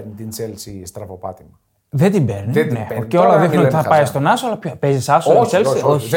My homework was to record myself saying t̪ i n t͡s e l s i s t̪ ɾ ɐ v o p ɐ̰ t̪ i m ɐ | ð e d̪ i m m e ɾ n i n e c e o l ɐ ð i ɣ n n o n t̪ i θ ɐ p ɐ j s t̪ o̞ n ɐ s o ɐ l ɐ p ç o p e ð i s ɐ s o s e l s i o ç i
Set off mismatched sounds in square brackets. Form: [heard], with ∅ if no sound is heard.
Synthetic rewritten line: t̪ i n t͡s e l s i s t̪ ɾ ɐ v o p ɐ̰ t̪ i m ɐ | ð e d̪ i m [b] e ɾ n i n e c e o l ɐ ð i [x] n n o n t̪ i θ ɐ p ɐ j s t̪ o̞ n ɐ s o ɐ l ɐ p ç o p e [z] i s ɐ s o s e l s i o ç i